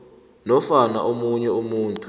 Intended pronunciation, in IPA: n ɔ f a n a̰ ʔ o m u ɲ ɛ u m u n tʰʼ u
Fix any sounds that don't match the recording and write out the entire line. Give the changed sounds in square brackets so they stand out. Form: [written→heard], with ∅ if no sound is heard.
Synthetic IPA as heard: n ɔ f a n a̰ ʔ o m u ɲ ɛ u m [u→uː] n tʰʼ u

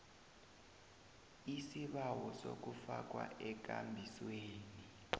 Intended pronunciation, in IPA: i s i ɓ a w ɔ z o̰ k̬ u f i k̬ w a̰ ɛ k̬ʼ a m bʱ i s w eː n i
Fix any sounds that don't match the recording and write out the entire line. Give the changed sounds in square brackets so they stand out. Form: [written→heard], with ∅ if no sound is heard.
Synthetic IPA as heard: i s i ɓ a w ɔ [z→s] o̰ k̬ u f [i→a] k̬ w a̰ ɛ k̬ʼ a m bʱ i s w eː n i

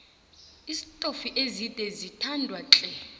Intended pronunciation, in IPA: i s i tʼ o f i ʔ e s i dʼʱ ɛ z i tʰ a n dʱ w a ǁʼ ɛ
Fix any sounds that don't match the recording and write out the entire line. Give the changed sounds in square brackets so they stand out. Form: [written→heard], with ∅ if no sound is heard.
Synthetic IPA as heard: i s i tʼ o f i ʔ e [s→z] i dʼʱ ɛ z i tʰ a n dʱ w a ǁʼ ɛ

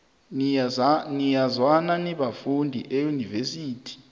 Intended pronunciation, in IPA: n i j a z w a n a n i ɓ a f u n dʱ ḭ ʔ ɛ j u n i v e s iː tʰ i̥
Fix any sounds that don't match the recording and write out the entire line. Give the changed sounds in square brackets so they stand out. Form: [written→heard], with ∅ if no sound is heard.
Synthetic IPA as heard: n i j a z w a n a n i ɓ a f u n dʱ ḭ ʔ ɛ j u n i v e s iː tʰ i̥

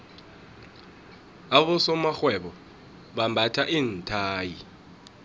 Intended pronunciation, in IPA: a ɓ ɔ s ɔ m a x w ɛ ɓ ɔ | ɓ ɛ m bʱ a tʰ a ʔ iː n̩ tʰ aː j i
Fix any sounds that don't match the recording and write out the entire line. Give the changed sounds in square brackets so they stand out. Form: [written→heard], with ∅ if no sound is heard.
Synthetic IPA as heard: a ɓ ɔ s ɔ m a x w ɛ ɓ ɔ | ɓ [ɛ→a] m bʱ a tʰ a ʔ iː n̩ tʰ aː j i

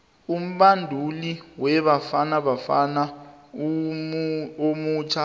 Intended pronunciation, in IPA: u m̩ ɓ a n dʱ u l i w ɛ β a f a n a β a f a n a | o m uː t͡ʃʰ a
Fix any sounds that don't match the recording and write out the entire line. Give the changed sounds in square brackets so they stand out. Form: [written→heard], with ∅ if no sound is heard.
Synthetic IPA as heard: u m̩ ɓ a n dʱ u l i w ɛ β a f a n a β a f a n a | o m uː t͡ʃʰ a

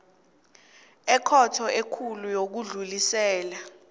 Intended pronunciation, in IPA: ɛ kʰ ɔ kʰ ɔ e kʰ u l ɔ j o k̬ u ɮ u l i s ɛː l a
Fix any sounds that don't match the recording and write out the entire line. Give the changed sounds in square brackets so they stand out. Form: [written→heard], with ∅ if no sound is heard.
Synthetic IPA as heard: ɛ kʰ ɔ [kʰ→tʰ] ɔ e kʰ u l [ɔ→u] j o k̬ u ɮ u l i s ɛː l a

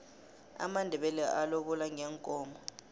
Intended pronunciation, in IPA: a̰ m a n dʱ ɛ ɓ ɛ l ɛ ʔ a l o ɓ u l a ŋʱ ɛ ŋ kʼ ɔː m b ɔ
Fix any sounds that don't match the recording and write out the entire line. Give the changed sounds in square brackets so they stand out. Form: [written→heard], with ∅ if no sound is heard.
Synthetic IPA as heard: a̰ m a n dʱ ɛ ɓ ɛ l ɛ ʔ a l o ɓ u l a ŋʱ ɛ ŋ kʼ ɔː m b ɔ

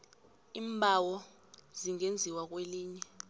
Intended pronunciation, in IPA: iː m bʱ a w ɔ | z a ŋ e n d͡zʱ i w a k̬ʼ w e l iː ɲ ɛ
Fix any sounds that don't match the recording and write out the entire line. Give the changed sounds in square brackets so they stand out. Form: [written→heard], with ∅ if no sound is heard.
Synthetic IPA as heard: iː m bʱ a w ɔ | z [a→i] ŋ e n d͡zʱ i w a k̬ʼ w e l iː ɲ ɛ

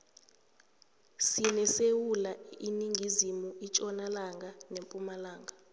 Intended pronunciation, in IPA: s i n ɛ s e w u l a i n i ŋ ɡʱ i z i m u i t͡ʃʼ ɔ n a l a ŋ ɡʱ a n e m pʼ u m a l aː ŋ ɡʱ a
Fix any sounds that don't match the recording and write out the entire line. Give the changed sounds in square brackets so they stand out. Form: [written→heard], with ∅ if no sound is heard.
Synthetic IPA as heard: s i n ɛ s e w u l a i n i ŋ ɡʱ i z i m u i t͡ʃʼ ɔ n a l a ŋ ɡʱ a n e m pʼ u m a l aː ŋ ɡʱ a

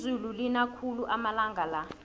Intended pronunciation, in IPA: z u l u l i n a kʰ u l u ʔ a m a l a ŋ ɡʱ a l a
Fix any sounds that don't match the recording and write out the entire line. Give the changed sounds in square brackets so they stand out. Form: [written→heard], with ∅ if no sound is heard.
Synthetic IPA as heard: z u l u l i n a kʰ u l u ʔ a m a l a ŋ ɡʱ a l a

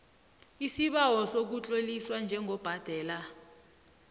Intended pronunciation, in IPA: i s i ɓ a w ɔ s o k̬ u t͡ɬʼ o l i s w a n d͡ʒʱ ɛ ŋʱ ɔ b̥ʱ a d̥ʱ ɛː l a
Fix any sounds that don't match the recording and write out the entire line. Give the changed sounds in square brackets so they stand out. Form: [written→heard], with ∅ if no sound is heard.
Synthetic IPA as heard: i s i ɓ a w ɔ s o k̬ u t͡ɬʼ o l i s w a n d͡ʒʱ ɛ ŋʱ ɔ b̥ʱ a d̥ʱ ɛː l a

